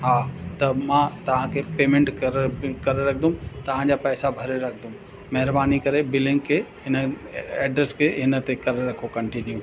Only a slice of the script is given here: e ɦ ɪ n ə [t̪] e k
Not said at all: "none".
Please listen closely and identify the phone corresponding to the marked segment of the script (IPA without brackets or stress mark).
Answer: t̪